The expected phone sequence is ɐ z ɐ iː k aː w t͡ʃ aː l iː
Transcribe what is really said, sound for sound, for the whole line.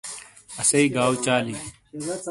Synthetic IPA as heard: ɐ s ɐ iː ɡ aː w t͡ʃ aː l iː

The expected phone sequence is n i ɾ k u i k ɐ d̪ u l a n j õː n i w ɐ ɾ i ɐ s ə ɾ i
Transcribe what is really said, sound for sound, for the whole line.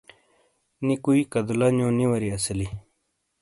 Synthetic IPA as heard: n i k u i k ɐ d̪ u l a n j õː n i w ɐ ɾ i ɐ s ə l i

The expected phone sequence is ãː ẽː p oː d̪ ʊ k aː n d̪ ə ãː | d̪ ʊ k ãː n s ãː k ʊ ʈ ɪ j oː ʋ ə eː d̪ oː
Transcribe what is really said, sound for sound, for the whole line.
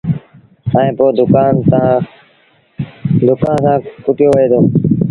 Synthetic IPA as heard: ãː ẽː p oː d̪ ʊ k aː n t̪ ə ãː | d̪ ʊ k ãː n s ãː k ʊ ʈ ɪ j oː ʋ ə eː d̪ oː

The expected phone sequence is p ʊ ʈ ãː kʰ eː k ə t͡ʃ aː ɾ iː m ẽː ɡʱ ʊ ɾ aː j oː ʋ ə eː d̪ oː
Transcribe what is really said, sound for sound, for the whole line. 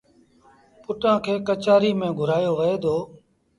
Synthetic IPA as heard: p ʊ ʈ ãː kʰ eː k ə t͡ʃ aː ɾ iː m ẽː ɡʱ ʊ ɾ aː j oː ʋ ə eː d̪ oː

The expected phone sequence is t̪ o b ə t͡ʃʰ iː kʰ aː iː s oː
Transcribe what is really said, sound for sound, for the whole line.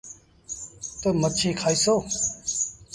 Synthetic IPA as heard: t̪ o m ə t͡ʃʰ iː kʰ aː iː s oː

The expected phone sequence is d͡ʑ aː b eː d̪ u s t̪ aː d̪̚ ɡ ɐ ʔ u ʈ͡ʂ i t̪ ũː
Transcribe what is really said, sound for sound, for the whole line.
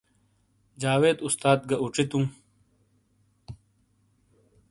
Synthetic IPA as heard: d͡ʑ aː w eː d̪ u s t̪ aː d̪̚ ɡ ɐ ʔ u ʈ͡ʂ i t̪ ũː

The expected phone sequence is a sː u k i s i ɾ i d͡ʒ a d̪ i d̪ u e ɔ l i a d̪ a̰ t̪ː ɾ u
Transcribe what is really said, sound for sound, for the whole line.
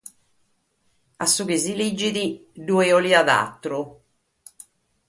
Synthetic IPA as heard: a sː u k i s i l i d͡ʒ i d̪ i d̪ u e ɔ l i a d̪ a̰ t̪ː ɾ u

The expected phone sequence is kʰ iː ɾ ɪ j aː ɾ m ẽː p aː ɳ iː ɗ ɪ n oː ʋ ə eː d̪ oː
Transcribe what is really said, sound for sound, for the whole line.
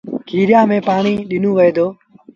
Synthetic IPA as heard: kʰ iː ɾ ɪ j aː m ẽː p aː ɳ iː ɗ ɪ n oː ʋ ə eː d̪ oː

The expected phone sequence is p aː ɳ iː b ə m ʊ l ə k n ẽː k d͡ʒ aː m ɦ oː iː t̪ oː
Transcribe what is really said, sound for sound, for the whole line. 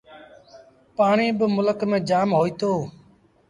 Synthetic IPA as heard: p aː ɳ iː b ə m ʊ l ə k m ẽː d͡ʒ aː m ɦ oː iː t̪ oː

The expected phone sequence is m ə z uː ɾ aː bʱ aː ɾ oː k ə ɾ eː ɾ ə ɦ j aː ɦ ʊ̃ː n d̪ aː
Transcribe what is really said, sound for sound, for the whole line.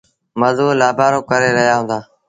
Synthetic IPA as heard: m ə z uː l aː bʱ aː ɾ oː k ə ɾ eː ɾ ə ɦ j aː ɦ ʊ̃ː n d̪ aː

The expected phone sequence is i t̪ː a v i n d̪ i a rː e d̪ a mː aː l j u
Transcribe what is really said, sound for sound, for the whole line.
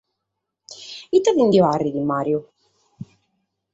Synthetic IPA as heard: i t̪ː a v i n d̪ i a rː i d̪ i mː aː ɾ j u

